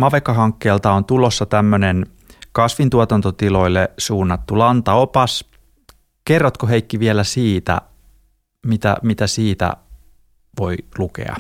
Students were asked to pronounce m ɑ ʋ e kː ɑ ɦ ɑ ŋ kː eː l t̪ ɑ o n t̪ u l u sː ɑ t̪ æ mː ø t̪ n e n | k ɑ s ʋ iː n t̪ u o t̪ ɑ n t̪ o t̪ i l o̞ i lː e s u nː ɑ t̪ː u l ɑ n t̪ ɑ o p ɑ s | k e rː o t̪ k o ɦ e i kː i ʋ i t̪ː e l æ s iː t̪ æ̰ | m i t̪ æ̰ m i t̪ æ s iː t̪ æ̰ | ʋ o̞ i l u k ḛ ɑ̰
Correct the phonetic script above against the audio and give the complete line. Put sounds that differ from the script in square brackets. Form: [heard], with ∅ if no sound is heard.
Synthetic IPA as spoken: m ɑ ʋ e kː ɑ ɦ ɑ ŋ kː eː l t̪ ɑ o n t̪ u l [o] sː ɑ t̪ æ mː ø [∅] n e n | k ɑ s ʋ [i] n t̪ u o t̪ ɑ n t̪ o t̪ i l o̞ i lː e s [uː] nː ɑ t̪ː u l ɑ n t̪ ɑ o p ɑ s | k e rː o t̪ k o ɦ e i kː i ʋ i [∅] e l æ s iː t̪ æ̰ | m i t̪ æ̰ m i t̪ æ s iː t̪ æ̰ | ʋ o̞ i l u k ḛ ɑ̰